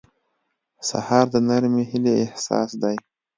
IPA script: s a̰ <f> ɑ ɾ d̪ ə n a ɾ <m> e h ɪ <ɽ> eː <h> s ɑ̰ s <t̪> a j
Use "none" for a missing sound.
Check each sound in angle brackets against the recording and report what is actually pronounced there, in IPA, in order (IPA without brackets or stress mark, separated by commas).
h, m, l, h, d̪